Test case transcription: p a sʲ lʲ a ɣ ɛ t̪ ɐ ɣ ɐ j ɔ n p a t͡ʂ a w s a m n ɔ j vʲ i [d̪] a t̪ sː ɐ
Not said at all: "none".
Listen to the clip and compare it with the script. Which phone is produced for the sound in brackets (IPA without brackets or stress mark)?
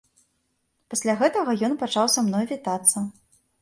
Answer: t̪